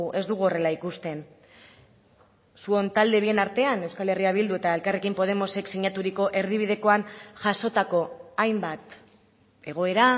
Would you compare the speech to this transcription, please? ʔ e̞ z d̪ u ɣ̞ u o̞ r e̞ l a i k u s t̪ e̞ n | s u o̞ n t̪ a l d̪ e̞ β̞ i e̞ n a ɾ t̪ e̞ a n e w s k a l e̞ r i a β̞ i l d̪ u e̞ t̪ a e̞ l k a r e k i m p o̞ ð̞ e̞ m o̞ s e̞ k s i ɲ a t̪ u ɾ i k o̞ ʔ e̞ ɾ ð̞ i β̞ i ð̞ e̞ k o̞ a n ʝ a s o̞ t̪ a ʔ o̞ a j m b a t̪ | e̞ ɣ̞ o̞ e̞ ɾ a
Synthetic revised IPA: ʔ e̞ z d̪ u ɣ̞ u o̞ r e̞ l a i k u s t̪ e̞ n | s u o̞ n t̪ a l d̪ e̞ β̞ i e̞ n a ɾ t̪ e̞ a n e w s k a l e̞ r i a β̞ i l d̪ u e̞ t̪ a e̞ l k a r e k i m p o̞ ð̞ e̞ m o̞ s e̞ k s i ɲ a t̪ u ɾ i k o̞ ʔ e̞ ɾ ð̞ i β̞ i ð̞ e̞ k o̞ a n ʝ a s o̞ t̪ a k o̞ a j m b a t̪ | e̞ ɣ̞ o̞ e̞ ɾ a